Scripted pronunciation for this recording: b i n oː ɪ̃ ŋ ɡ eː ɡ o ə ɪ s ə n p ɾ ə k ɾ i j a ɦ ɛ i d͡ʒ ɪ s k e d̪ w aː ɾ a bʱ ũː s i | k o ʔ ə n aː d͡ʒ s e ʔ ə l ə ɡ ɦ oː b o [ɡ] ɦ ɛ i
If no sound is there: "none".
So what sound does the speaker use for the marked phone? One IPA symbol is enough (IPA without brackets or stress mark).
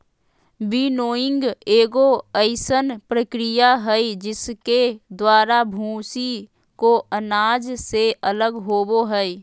none